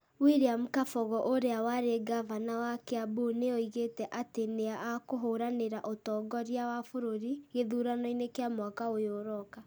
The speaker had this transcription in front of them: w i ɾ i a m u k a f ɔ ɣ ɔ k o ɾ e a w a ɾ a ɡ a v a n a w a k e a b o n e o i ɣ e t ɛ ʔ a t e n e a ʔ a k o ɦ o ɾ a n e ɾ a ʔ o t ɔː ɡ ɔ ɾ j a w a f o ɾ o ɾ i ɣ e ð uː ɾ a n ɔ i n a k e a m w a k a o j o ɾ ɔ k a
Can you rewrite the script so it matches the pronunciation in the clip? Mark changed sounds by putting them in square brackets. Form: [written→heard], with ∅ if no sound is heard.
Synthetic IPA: w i ɾ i a m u k a f ɔ ɣ ɔ [k→ʔ] o ɾ e a w a ɾ [a→e] ɡ a v a n a w a k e a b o n e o i ɣ e t ɛ ʔ a t e n e a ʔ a k o ɦ o ɾ a n e ɾ a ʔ o t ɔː ɡ ɔ ɾ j a w a f o ɾ o ɾ i ɣ e ð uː ɾ a n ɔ i n [a→e] k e a m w a k a o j o ɾ ɔ k a